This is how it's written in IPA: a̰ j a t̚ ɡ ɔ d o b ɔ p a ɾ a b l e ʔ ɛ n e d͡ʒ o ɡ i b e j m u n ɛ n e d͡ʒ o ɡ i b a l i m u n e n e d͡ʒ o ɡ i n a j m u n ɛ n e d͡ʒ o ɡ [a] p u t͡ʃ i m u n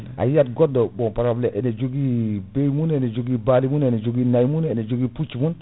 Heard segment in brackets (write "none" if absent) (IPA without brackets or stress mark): i